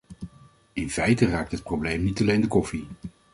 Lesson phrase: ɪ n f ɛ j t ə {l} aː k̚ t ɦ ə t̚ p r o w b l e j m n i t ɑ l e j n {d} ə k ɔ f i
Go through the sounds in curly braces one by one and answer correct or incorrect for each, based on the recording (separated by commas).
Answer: incorrect, correct